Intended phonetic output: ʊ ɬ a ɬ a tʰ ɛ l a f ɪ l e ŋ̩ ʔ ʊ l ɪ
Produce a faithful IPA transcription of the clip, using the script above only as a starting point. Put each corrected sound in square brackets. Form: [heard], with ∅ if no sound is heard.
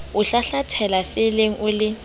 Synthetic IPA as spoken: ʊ ɬ a ɬ a tʰ ɛ l a f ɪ l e ŋ̩ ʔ ʊ l ɪ